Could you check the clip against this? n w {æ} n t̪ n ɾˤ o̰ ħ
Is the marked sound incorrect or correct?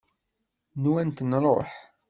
correct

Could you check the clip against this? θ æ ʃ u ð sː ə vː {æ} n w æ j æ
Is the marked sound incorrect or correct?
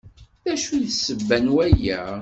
correct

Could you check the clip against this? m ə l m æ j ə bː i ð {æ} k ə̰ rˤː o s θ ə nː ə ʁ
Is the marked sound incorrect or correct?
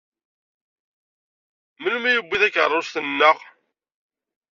correct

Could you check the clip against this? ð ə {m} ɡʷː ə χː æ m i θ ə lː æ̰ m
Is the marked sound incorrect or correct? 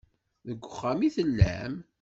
incorrect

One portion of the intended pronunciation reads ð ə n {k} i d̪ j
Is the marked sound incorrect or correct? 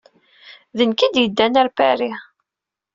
correct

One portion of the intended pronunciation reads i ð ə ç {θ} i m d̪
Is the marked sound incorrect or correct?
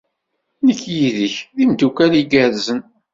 incorrect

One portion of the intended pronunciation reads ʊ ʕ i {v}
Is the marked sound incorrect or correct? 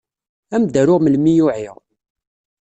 incorrect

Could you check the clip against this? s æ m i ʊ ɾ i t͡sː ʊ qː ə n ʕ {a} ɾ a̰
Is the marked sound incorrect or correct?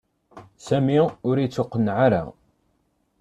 correct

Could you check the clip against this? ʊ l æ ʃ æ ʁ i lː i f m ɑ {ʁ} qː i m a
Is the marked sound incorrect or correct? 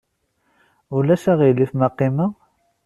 incorrect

